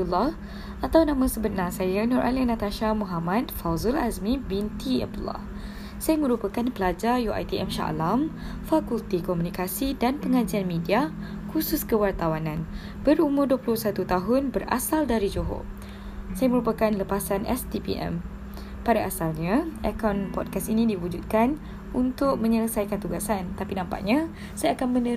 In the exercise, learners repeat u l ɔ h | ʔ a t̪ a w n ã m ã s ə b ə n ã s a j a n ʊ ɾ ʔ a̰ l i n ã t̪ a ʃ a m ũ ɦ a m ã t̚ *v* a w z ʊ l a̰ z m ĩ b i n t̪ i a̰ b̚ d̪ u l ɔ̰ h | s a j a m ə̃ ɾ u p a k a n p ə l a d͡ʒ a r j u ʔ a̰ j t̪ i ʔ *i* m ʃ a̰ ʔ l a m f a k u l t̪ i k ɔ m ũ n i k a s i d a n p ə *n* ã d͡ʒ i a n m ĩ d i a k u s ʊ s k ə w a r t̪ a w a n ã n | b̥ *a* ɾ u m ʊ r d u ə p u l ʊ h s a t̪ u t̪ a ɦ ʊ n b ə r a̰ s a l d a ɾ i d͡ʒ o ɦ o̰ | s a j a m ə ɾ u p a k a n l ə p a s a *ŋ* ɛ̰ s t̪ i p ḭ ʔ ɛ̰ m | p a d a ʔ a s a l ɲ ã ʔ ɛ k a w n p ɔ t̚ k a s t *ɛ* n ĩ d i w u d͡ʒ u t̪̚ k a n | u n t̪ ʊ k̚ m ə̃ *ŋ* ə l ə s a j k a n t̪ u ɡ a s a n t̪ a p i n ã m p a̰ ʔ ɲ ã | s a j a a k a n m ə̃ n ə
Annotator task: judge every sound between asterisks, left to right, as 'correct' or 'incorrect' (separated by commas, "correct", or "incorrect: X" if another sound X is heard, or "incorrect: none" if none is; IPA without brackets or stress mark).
incorrect: f, incorrect: ɛ, incorrect: ŋ, incorrect: ə, incorrect: n, incorrect: i, incorrect: ɲ